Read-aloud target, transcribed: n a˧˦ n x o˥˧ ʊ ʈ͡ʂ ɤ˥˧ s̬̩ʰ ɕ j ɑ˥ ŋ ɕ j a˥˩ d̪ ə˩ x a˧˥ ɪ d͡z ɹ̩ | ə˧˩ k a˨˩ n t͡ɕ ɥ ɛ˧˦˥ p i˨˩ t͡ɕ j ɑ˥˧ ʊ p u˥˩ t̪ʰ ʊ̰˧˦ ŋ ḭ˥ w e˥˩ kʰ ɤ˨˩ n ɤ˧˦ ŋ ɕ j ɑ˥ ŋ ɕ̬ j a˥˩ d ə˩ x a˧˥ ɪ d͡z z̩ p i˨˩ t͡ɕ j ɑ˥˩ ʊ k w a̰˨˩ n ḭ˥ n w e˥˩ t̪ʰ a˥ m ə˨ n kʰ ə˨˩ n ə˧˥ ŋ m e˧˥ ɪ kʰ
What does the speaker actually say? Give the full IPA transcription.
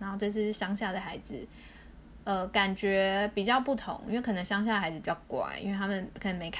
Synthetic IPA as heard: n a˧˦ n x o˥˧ ʊ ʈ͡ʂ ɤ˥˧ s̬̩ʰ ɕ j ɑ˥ ŋ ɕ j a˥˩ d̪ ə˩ x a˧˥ ɪ d͡z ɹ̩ | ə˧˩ k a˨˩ n t͡ɕ ɥ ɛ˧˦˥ p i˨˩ t͡ɕ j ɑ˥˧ ʊ p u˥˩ t̪ʰ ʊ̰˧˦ ŋ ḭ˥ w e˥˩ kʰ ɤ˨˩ n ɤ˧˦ ŋ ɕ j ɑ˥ ŋ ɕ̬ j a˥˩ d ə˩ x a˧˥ ɪ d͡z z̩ p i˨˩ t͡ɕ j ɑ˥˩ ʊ k w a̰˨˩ n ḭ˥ n w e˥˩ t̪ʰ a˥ m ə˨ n kʰ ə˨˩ n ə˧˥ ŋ m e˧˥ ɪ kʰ